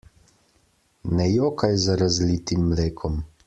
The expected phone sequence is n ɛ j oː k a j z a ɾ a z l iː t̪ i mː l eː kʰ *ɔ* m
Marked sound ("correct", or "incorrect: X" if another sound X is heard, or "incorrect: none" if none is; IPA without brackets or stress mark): correct